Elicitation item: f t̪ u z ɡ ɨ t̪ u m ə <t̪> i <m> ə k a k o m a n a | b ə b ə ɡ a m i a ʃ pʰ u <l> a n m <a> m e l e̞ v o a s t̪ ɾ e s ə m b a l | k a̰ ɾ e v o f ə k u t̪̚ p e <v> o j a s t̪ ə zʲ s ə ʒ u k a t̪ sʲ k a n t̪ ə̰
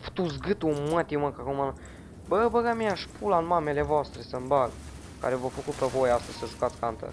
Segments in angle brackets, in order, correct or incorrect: correct, correct, correct, correct, correct

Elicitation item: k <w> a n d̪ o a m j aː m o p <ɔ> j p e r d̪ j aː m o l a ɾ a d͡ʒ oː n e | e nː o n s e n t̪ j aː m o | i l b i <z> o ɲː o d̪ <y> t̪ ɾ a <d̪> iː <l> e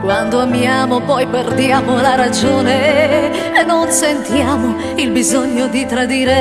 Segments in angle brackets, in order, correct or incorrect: correct, correct, correct, incorrect: i, correct, incorrect: ɾ

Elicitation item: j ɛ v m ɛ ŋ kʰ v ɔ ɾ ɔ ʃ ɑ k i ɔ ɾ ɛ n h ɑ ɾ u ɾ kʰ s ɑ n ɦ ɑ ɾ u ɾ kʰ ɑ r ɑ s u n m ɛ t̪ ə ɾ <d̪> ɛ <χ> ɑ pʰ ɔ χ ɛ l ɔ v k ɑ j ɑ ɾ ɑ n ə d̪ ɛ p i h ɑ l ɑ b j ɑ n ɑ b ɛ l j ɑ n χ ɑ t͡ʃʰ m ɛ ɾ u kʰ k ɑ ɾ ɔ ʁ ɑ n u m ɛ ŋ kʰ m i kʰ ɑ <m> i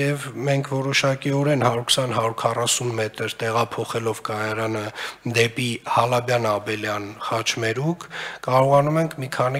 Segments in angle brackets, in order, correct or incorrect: incorrect: t̪, incorrect: ʁ, incorrect: n

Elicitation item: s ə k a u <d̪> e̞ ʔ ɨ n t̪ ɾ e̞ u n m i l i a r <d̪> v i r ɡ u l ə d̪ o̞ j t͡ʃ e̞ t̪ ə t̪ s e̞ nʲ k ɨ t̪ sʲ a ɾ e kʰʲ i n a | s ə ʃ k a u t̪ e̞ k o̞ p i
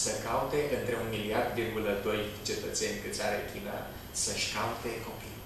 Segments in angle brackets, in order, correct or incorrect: incorrect: t̪, correct

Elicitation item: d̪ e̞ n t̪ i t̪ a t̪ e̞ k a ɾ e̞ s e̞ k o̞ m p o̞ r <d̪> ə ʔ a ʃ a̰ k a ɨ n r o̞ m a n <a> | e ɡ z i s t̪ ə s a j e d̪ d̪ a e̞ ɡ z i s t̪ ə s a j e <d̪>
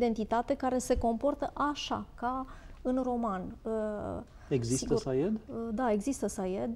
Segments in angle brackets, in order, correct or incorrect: incorrect: t̪, incorrect: ə, correct

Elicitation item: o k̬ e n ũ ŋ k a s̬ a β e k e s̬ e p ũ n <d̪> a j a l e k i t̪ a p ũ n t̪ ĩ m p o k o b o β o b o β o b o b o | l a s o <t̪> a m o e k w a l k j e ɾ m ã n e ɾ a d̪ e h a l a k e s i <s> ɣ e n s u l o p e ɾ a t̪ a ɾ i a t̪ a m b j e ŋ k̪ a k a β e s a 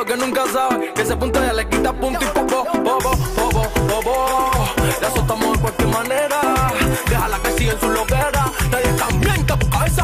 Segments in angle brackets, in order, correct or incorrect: incorrect: t̪, correct, incorrect: none

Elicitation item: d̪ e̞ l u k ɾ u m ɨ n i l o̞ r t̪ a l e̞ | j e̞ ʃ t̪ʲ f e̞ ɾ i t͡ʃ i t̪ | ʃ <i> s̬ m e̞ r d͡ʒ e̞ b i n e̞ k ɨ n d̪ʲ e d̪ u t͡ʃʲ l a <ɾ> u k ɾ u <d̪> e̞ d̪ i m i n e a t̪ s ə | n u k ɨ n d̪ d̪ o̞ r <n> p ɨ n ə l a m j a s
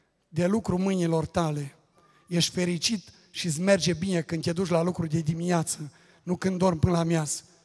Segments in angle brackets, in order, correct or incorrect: correct, incorrect: l, correct, incorrect: m

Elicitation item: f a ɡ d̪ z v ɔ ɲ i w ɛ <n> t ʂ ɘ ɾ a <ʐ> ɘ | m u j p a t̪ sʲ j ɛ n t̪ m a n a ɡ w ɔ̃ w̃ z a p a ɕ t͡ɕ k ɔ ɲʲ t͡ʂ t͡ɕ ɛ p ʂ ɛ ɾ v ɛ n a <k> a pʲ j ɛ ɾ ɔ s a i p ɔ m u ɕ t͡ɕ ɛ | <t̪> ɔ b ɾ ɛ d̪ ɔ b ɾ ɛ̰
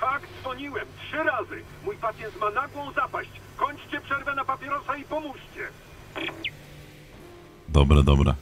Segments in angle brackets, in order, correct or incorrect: incorrect: m, incorrect: z, incorrect: p, incorrect: d̪

